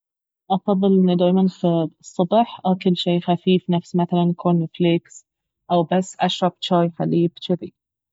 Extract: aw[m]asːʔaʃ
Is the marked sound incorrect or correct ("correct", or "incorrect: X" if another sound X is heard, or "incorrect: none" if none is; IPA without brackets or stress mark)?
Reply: incorrect: b